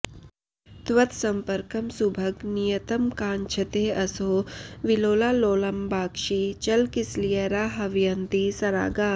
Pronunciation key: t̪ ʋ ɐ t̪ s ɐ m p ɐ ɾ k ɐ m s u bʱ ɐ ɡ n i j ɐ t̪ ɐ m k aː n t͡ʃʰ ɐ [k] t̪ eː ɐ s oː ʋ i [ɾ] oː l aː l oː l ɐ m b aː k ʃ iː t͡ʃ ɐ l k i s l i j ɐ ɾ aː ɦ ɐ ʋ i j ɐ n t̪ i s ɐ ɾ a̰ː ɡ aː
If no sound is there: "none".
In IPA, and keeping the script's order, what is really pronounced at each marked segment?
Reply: none, l

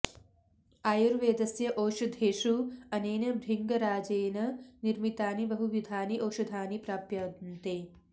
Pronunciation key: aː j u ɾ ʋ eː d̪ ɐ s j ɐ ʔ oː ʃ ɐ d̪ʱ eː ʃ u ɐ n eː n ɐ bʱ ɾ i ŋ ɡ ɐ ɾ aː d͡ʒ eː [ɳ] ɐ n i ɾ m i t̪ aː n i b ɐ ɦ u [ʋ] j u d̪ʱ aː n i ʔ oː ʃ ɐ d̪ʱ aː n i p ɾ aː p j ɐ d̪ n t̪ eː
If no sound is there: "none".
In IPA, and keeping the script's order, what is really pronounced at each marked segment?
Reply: n, ʋ

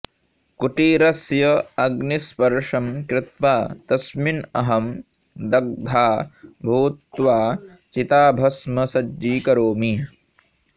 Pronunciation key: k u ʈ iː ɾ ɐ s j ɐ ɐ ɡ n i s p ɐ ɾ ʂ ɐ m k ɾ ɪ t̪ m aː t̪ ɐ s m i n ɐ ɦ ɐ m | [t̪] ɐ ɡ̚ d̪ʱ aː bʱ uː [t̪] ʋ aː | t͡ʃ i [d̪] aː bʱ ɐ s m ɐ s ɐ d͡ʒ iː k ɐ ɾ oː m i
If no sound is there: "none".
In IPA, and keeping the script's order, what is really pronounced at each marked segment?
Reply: d̪, t̪, t̪

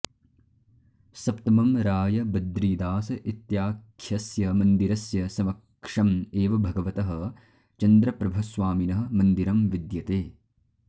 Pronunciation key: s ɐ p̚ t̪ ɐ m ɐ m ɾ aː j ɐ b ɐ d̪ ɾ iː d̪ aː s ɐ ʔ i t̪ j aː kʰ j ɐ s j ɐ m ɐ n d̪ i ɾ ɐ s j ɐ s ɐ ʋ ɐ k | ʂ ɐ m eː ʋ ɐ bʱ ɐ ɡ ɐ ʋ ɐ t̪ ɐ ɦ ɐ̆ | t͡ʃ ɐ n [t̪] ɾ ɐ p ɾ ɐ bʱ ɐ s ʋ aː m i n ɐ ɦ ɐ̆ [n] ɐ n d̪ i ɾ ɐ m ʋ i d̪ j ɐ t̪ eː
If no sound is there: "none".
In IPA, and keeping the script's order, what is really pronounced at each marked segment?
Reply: d̪, m

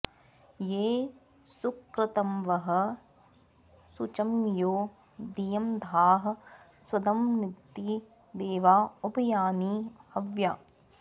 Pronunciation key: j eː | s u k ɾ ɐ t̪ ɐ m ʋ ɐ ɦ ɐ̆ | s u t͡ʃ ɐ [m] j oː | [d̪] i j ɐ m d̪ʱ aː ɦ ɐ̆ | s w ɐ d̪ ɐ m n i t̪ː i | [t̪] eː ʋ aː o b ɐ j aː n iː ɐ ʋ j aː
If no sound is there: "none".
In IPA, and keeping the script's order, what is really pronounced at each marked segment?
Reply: m, d̪, d̪

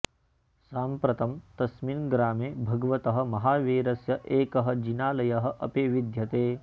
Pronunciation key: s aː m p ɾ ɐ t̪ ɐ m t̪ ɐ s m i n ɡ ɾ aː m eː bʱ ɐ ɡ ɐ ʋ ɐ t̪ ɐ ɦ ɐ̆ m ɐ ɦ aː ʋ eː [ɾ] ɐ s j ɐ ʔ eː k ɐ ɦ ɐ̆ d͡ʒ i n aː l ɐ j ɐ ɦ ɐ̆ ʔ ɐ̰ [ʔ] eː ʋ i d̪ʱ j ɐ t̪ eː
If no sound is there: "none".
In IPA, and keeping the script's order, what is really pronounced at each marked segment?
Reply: ɾ, p

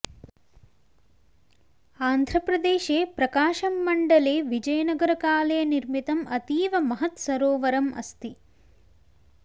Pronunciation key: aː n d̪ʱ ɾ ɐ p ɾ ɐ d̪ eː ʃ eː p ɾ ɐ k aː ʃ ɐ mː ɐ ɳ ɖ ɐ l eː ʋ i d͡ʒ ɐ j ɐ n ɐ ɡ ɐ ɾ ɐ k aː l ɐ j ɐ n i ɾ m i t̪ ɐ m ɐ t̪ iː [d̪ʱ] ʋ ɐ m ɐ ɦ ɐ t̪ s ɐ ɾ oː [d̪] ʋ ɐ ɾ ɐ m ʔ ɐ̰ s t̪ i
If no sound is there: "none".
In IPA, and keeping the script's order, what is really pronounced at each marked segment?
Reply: none, none

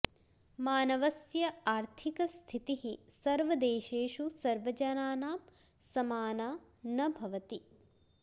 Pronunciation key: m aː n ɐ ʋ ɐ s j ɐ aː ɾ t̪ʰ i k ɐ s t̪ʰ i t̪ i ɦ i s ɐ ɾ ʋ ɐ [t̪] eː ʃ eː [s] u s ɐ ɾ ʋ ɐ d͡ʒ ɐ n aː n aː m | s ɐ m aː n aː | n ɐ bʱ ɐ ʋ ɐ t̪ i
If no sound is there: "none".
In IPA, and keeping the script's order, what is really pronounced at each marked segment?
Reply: d̪, ʃ

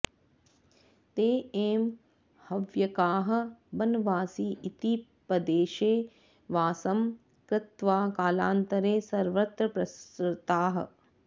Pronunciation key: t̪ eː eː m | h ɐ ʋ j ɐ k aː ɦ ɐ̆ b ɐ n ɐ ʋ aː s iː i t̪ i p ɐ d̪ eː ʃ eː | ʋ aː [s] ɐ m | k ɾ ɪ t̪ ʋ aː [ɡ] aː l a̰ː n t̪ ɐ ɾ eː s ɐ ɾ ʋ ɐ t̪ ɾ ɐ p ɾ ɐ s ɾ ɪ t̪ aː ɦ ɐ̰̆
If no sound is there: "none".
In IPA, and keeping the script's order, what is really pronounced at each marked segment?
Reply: s, k

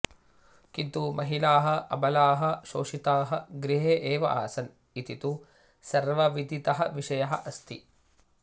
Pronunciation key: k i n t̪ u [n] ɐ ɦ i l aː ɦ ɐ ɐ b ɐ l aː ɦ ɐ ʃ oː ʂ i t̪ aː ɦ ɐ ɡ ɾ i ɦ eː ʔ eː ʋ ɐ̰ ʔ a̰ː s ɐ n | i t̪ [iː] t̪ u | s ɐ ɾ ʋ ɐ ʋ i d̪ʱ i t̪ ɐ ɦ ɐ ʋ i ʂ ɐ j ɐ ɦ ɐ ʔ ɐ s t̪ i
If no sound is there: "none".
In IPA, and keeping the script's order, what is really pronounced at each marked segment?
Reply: m, i

